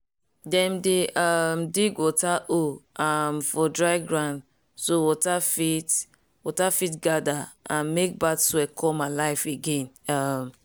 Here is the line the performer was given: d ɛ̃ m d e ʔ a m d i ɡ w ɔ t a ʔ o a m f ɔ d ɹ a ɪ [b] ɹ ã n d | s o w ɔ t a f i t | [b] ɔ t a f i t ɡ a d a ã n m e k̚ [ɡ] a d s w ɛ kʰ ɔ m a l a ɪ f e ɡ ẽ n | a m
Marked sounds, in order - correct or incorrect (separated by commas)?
incorrect, incorrect, incorrect